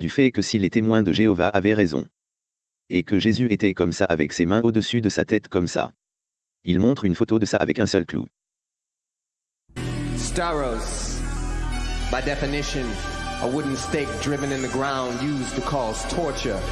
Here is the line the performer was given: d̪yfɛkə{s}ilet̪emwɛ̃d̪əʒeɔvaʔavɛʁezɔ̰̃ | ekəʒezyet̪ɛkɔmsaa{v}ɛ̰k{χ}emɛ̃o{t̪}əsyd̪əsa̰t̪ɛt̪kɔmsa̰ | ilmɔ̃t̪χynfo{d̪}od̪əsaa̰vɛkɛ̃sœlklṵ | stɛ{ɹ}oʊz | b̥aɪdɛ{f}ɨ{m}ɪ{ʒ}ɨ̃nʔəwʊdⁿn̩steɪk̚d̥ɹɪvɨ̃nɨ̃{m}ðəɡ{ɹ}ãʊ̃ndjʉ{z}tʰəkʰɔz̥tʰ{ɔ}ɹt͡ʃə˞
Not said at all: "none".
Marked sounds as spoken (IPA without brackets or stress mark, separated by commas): s, v, s, d̪, t̪, ɹ, f, n, ʃ, n, ɹ, z, ɔ